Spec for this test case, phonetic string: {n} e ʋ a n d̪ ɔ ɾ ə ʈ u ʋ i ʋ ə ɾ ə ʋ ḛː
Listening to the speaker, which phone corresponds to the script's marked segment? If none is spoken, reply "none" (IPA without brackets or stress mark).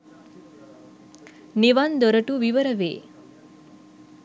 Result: n